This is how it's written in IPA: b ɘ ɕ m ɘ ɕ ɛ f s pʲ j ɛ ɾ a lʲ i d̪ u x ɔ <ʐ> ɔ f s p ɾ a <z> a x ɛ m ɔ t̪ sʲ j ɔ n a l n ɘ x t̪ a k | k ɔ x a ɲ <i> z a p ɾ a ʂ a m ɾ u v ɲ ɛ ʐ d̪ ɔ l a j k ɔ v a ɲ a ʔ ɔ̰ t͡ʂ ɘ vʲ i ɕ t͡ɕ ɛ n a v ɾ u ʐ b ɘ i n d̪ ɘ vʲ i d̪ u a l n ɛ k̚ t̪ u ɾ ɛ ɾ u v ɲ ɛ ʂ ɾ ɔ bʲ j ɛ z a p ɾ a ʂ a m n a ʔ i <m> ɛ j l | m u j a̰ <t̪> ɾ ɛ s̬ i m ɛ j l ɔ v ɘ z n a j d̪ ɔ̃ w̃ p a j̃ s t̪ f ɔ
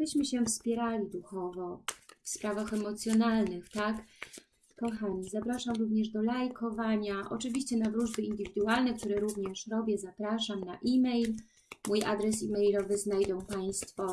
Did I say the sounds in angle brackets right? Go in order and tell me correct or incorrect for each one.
incorrect: v, incorrect: v, correct, correct, incorrect: d̪

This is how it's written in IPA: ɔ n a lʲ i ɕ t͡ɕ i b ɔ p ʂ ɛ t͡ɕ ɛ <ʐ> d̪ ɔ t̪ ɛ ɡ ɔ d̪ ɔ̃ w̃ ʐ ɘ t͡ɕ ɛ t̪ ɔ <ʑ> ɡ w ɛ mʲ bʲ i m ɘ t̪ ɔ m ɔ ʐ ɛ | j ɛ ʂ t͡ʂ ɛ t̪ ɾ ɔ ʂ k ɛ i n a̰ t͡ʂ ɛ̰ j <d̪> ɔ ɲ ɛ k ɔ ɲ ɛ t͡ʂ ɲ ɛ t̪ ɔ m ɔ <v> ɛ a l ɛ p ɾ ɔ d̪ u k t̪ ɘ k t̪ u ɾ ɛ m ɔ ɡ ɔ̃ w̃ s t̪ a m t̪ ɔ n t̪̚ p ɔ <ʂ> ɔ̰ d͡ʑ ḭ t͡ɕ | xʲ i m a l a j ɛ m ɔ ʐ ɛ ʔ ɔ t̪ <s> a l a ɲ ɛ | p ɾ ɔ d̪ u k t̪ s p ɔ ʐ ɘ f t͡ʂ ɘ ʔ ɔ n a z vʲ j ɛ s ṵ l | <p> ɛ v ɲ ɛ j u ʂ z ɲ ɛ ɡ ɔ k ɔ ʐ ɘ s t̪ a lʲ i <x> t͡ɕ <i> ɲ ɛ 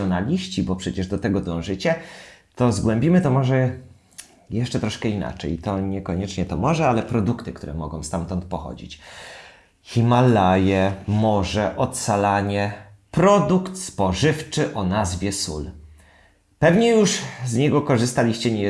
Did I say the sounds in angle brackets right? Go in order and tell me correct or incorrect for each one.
correct, incorrect: z, incorrect: t̪, incorrect: ʐ, incorrect: x, correct, correct, incorrect: ɕ, incorrect: ɛ

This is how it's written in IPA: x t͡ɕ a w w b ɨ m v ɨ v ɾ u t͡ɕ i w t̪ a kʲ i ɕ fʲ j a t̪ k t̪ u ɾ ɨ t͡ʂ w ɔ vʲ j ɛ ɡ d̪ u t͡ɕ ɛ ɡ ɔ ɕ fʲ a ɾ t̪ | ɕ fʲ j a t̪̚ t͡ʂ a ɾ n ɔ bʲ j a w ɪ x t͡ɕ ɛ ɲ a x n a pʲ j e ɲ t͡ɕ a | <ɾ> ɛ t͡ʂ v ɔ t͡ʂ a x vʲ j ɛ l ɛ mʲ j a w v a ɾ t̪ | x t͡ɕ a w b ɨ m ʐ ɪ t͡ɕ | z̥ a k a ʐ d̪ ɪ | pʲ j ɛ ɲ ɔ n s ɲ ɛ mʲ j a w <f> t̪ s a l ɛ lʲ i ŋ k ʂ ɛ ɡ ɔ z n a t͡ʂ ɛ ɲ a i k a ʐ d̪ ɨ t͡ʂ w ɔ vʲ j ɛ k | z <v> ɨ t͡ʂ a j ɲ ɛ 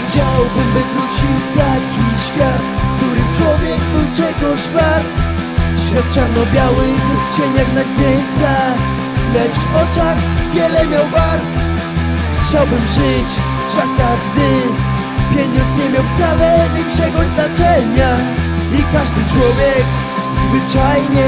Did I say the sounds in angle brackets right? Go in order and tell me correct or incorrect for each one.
incorrect: l, correct, correct

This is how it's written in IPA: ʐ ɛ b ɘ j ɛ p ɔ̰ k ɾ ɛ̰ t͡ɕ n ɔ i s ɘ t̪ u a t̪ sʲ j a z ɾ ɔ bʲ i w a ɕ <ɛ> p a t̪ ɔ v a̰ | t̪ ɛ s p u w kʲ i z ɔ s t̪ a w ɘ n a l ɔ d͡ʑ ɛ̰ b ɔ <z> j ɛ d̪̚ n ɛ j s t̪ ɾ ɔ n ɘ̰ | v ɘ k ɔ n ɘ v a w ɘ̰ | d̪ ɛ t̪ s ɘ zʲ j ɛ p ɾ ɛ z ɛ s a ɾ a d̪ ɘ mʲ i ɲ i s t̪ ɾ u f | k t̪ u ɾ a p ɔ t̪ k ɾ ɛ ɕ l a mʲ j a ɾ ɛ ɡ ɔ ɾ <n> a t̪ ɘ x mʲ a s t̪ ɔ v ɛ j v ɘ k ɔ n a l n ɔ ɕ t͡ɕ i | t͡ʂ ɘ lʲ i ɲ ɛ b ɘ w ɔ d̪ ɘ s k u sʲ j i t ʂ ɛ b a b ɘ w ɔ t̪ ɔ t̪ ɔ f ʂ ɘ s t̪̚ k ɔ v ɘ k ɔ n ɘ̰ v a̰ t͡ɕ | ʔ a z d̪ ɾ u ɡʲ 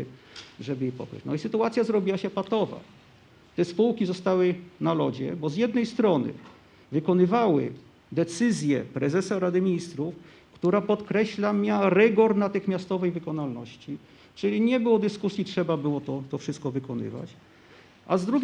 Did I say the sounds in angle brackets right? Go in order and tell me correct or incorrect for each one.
correct, correct, correct

